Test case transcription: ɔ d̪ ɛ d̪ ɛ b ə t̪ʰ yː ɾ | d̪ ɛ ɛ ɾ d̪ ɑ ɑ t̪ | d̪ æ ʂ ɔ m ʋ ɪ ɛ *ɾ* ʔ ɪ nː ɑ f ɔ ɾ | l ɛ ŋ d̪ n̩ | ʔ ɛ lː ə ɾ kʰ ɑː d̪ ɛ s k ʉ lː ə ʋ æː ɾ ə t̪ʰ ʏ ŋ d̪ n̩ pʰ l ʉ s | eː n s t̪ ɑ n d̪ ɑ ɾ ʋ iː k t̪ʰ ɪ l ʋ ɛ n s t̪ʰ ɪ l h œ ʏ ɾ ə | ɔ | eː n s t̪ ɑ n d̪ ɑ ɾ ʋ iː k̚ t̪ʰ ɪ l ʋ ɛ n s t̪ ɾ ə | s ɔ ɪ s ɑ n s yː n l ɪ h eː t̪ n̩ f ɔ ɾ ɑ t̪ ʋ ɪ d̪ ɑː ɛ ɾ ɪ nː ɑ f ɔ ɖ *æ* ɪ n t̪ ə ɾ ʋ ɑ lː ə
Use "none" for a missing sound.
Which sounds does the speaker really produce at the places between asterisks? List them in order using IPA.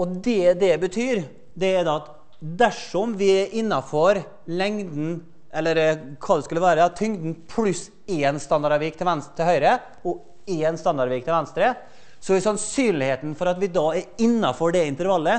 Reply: ɾ, ɛ

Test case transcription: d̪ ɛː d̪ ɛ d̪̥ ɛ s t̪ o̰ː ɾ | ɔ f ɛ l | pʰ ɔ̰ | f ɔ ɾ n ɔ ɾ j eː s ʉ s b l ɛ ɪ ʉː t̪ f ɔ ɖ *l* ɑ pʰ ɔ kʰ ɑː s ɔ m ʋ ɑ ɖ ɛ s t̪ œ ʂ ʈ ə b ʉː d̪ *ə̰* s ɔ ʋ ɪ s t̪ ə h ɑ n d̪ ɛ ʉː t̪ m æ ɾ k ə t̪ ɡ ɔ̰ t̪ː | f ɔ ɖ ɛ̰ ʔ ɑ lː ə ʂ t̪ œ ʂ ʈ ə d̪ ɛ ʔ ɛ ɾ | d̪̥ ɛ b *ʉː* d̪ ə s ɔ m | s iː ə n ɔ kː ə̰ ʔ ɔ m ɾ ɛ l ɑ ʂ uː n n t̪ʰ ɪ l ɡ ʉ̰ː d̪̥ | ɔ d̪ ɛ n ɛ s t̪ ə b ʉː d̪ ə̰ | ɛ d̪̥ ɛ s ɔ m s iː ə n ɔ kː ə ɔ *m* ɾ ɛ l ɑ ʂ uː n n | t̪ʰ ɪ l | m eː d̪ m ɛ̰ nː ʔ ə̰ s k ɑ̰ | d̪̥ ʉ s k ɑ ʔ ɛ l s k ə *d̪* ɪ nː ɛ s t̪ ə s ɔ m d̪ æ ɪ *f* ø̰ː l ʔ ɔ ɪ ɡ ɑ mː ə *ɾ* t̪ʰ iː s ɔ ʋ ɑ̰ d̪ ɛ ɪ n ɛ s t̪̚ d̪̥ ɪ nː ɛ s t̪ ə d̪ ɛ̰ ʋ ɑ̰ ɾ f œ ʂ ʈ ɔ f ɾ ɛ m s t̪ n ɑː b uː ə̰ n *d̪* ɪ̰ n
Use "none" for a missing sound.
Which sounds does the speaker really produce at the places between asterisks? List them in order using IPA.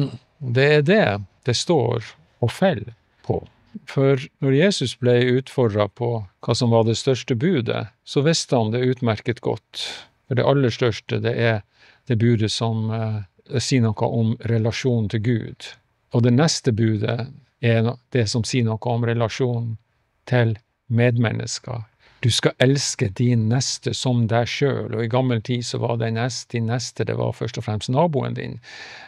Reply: ɾ, ə̰, ʉː, m, d̪, ʂ, l, d̪

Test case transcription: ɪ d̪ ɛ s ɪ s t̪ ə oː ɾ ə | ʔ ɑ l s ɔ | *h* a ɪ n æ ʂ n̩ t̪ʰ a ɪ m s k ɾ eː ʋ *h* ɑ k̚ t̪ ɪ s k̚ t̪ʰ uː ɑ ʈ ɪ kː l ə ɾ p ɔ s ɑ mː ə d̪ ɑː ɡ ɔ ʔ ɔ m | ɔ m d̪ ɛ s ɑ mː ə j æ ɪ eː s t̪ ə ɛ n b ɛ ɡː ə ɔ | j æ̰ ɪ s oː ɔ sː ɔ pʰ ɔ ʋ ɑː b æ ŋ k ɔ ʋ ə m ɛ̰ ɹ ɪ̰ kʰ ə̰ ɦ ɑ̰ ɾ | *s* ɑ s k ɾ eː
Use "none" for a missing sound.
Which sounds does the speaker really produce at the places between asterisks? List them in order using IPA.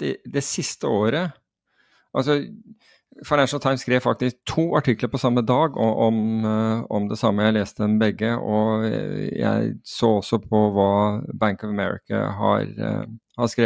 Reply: f, f, h

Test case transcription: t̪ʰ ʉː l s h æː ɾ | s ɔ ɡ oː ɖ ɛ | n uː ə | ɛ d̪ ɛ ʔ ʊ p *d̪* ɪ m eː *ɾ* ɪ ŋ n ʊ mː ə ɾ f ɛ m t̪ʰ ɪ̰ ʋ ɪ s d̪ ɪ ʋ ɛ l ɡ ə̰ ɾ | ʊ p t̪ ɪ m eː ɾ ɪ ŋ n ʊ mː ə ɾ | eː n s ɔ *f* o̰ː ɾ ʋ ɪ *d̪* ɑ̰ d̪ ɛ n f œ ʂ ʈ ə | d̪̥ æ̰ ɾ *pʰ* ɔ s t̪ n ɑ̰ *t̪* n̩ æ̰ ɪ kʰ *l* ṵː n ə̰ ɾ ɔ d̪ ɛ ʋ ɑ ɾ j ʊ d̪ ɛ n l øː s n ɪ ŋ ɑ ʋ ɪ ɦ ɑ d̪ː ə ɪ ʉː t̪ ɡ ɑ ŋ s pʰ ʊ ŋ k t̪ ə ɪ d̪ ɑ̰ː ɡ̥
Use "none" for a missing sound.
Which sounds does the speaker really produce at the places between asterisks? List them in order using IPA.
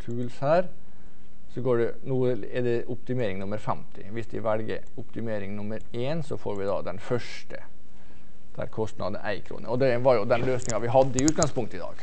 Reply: t̪, ɾ, f, d̪, kʰ, d̪, ɾ

